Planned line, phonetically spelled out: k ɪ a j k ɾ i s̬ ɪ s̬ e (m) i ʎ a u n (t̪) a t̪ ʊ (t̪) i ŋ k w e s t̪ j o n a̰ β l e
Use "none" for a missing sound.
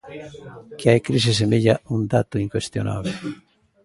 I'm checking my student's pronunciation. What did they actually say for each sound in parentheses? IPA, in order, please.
m, d̪, none

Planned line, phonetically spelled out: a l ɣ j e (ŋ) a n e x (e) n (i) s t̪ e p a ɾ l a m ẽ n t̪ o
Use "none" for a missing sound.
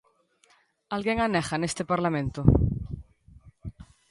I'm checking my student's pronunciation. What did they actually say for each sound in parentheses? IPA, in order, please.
ŋ, a, e

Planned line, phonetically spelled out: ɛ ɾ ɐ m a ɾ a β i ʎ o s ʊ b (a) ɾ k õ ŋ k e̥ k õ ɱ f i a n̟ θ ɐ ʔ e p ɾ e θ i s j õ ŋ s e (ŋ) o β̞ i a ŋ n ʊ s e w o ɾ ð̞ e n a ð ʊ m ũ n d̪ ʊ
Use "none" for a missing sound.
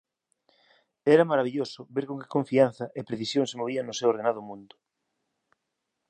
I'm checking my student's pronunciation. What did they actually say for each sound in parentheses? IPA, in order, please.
e, m

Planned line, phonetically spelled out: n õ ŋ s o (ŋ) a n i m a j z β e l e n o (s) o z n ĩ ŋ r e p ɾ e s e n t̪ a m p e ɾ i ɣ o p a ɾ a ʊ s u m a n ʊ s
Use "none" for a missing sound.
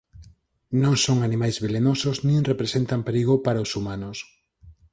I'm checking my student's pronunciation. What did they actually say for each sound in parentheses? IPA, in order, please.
ŋ, s

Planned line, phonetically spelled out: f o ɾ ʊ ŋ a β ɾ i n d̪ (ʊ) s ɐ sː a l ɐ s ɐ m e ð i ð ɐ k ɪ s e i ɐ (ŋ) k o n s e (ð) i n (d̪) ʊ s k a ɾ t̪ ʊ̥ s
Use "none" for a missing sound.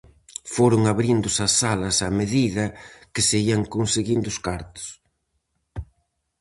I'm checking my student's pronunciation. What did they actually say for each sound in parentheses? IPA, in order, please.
ʊ, ŋ, ɣ, d̪

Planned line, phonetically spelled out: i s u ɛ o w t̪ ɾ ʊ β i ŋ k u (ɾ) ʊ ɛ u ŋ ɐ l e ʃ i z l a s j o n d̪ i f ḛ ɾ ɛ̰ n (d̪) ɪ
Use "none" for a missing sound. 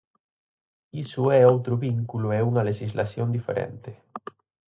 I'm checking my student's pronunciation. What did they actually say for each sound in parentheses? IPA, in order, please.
l, t̪

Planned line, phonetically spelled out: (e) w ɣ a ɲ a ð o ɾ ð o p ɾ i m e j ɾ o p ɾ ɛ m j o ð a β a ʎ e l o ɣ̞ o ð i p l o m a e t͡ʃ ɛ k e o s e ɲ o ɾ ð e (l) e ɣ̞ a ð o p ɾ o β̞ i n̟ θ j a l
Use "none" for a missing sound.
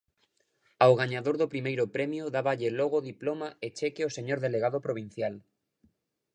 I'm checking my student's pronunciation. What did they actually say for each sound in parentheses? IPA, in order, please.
a, l

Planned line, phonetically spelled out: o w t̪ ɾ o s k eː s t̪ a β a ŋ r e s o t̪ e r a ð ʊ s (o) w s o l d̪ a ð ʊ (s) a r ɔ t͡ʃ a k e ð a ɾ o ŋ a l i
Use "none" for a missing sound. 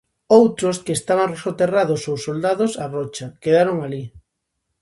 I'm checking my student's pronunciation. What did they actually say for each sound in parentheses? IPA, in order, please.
o, s

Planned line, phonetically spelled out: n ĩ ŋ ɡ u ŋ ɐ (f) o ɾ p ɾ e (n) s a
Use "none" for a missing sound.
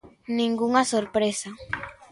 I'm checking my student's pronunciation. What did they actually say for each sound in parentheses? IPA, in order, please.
s, none

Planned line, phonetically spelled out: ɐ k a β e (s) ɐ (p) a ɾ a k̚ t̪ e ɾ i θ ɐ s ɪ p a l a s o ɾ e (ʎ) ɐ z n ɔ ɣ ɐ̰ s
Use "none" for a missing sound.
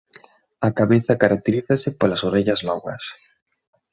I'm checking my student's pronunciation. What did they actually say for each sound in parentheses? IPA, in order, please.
θ, k, ʎ

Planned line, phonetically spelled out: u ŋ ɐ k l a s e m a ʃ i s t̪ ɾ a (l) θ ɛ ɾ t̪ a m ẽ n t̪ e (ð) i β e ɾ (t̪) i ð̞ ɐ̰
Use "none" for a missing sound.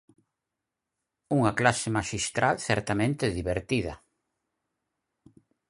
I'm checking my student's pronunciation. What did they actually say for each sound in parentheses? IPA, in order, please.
l, ð, t̪

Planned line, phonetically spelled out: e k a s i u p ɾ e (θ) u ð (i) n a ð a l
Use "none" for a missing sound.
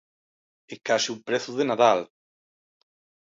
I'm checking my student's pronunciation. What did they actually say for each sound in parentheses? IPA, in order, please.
θ, e

